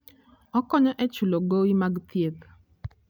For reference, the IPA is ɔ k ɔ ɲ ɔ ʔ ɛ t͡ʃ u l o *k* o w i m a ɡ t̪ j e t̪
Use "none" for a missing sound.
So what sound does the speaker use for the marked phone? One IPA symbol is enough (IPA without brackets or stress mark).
ɡ